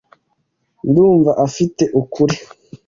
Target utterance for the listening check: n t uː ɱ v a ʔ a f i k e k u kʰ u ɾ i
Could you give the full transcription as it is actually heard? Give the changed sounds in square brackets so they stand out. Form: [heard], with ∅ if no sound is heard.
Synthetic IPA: n [d] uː ɱ v a ʔ a f i [t] e [ʔ] u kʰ u ɾ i